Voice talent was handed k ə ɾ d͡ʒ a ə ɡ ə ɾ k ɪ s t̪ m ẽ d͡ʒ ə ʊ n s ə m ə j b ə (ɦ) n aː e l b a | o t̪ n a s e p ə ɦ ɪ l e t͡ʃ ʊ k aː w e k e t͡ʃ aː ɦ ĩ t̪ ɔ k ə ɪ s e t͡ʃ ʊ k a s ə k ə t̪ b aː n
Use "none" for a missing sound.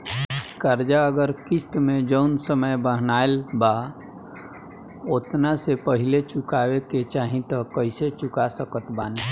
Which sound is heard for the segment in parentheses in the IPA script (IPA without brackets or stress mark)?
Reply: ɦ